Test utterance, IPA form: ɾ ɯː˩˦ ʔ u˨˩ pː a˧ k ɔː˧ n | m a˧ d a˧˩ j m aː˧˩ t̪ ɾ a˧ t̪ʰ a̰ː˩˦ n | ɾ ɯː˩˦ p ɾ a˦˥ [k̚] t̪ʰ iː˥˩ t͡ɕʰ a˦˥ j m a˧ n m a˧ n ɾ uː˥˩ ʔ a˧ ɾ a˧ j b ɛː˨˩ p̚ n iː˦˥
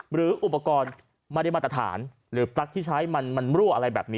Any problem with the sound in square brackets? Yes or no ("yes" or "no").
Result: no